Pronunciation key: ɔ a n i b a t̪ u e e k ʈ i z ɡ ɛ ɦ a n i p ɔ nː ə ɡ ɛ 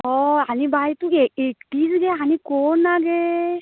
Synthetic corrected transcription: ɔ a n i b a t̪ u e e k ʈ i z ɡ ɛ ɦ a n i k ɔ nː a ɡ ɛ

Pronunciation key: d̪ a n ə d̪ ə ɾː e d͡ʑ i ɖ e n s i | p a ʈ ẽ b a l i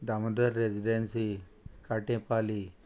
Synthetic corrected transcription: d̪ a m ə d̪ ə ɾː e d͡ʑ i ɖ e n s i | k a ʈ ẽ p a l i

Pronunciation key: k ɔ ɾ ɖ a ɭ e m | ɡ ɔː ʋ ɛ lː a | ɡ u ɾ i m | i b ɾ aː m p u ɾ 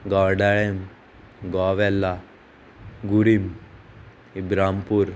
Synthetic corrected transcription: ɡ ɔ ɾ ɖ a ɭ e m | ɡ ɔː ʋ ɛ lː a | ɡ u ɾ i m | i b ɾ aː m p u ɾ

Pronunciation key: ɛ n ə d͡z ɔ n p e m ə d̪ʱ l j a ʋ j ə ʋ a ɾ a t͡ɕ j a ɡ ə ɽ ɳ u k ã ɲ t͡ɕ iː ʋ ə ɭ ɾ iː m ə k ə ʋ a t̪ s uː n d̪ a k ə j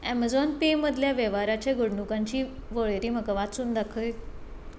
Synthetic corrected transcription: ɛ m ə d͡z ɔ n p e m ə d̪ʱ l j a ʋ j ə ʋ a ɾ a t͡ɕ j a ɡ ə ɽ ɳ u k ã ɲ t͡ɕ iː ʋ ə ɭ ɾ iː m ə k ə ʋ a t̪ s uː n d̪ a kʰ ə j

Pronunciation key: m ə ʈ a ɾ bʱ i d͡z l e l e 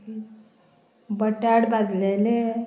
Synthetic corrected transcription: b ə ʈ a ɽ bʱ a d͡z l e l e

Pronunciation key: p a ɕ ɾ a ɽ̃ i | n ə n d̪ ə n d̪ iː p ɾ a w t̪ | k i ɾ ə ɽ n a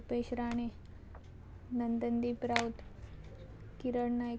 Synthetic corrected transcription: p e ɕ ɾ a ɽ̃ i | n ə n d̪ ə n d̪ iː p ɾ a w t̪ | k i ɾ ə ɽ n a

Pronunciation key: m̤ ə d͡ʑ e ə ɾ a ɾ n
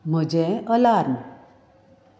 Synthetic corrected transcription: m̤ ə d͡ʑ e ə l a ɾ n

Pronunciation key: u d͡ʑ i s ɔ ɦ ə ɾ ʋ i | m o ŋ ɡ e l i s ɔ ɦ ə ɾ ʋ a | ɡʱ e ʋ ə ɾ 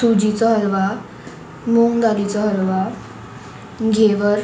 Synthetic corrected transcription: u d͡ʑ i t͡s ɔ ɦ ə ɾ ʋ a | m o ŋ ɡ a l i t͡s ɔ ɦ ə ɾ ʋ a | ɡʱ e ʋ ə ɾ

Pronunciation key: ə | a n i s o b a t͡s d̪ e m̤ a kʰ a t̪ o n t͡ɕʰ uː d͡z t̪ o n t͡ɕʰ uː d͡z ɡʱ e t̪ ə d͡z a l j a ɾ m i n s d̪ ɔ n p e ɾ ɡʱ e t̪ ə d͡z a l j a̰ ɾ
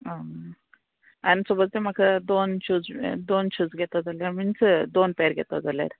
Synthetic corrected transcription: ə | a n i s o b ə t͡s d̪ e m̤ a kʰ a d̪ o n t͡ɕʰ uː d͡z d̪ o n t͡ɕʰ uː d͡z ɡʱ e t̪ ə d͡z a l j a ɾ m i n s d̪ o n p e ɾ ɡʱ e t̪ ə d͡z a l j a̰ ɾ

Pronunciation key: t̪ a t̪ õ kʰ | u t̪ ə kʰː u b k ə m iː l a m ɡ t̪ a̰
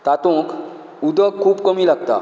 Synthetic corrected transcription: t̪ a t̪ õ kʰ | u d̪ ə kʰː uː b k ə m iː l a ɡ t̪ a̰

